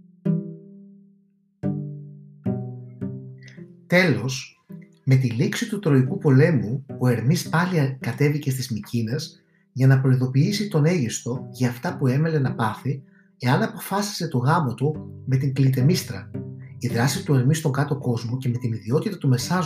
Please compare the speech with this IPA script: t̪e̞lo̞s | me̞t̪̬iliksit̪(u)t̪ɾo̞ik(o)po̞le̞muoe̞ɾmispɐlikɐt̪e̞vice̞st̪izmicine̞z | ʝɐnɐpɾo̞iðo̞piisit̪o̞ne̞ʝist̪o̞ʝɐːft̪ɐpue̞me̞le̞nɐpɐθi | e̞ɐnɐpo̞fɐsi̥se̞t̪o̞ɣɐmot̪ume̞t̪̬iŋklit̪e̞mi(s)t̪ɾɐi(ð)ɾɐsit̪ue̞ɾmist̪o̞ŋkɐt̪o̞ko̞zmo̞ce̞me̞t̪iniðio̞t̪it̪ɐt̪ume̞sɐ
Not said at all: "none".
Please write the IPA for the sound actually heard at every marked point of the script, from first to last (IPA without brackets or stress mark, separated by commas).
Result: u, u, s, ð